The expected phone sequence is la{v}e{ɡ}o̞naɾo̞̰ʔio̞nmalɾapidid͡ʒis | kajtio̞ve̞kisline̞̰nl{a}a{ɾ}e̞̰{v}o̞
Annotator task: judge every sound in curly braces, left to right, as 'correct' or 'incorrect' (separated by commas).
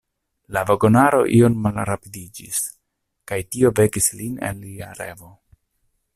correct, correct, incorrect, correct, correct